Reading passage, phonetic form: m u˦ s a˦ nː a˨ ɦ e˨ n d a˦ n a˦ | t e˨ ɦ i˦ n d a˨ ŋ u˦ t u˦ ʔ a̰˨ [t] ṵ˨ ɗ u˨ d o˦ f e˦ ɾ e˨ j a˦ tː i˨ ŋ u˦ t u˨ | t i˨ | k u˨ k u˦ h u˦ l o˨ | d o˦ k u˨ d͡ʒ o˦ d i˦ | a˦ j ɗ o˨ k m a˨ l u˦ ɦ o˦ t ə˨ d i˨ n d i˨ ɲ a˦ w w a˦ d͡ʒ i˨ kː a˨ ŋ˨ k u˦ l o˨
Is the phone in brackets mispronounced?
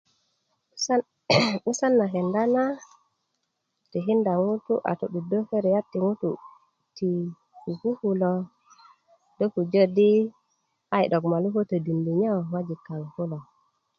no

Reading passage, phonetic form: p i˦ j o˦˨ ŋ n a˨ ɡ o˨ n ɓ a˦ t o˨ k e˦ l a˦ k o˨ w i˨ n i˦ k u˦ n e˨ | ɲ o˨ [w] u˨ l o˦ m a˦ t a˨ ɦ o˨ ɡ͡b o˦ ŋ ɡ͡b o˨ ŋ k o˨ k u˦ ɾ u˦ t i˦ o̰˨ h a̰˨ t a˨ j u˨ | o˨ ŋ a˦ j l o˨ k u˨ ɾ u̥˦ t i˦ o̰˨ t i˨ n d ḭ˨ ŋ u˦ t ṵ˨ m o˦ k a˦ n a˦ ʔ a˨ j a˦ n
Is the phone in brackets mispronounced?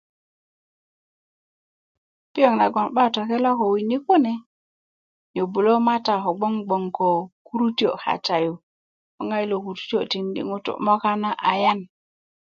yes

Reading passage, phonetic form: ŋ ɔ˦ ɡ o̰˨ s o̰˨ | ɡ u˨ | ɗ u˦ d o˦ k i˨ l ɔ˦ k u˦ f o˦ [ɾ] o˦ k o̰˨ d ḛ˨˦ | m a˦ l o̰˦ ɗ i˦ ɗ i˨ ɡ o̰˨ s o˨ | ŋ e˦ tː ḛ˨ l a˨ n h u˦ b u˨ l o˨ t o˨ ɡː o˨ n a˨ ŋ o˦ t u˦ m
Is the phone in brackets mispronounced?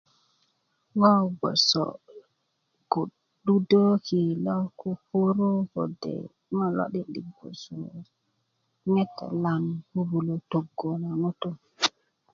no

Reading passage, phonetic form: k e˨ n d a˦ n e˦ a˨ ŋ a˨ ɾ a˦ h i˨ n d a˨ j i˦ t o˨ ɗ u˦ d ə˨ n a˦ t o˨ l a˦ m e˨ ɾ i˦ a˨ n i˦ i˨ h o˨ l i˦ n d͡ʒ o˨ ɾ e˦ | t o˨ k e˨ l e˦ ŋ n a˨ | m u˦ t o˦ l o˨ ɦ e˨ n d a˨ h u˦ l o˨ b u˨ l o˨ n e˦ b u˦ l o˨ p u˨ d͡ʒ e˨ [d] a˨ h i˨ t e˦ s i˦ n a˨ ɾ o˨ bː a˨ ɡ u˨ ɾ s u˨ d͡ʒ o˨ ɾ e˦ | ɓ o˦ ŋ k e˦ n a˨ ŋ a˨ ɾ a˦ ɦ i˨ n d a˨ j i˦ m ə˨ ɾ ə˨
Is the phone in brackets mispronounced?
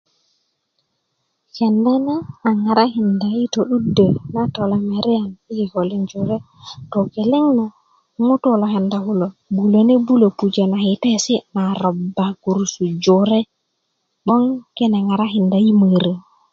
yes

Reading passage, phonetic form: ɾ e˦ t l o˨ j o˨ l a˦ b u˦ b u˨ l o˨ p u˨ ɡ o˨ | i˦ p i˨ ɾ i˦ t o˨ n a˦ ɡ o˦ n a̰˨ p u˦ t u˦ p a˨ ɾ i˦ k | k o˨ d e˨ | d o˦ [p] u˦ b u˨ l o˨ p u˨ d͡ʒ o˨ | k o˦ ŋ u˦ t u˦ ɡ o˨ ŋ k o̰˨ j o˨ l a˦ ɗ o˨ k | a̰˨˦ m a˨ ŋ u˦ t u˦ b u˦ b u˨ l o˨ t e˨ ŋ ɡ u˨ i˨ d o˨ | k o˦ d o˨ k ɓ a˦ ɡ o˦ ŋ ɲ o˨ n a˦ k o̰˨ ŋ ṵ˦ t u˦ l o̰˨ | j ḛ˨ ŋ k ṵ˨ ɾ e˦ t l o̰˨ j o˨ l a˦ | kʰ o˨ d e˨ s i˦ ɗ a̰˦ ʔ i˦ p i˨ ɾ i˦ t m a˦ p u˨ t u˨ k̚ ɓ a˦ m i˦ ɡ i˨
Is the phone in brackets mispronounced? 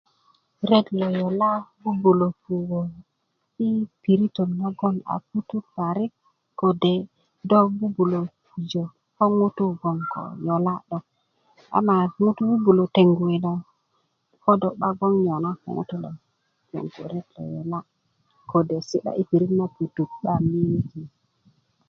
yes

